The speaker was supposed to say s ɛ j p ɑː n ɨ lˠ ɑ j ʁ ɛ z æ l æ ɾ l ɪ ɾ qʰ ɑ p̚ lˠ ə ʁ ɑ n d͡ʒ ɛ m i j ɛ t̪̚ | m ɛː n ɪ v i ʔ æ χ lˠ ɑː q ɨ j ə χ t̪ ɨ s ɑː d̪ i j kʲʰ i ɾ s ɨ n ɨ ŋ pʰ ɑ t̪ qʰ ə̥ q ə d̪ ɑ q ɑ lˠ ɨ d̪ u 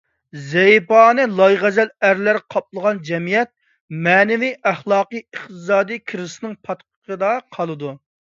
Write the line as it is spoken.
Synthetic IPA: z ɛ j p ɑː n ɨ lˠ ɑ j ʁ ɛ z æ l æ ɾ l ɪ ɾ qʰ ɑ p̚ lˠ ə ʁ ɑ n d͡ʒ ɛ m i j ɛ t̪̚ | m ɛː n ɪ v i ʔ æ χ lˠ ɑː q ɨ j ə χ t̪ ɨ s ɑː d̪ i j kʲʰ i ɾ s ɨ n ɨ ŋ pʰ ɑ t̪ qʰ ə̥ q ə d̪ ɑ qʰ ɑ lˠ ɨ d̪ u